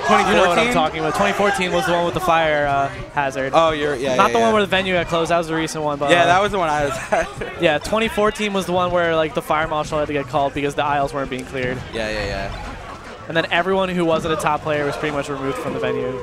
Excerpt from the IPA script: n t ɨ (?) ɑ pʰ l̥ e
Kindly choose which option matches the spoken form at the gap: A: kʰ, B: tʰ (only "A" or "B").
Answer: B